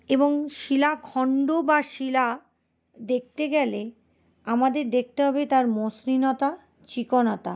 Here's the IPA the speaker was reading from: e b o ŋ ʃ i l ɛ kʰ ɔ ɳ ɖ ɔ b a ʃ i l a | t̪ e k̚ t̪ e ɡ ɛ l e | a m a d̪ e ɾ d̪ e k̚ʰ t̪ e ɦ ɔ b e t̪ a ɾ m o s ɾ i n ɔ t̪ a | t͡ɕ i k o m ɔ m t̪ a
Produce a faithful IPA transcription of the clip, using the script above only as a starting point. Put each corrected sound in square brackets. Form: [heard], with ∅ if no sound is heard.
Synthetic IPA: e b o ŋ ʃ i l [a] kʰ ɔ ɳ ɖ [o] b a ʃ i l a | [d̪] e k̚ t̪ e ɡ ɛ l e | a m a d̪ e ɾ d̪ e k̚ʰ t̪ e ɦ ɔ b e t̪ a ɾ m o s ɾ i n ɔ t̪ a | t͡ɕ i k o [n] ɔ [∅] t̪ a